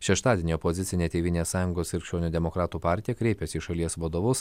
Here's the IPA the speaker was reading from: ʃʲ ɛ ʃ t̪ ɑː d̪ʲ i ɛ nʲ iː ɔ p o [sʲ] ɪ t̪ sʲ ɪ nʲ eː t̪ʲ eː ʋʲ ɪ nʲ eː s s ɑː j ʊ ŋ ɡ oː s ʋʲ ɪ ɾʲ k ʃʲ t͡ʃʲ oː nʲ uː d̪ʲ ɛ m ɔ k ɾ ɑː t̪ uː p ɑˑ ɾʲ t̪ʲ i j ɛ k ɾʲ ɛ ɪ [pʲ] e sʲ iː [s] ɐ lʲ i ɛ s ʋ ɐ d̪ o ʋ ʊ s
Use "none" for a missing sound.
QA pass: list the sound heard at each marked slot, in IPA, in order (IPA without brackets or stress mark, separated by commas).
zʲ, pʲ, ʃ